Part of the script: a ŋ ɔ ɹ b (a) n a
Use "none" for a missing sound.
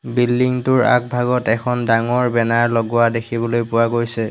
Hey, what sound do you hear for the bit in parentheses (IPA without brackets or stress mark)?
ɛ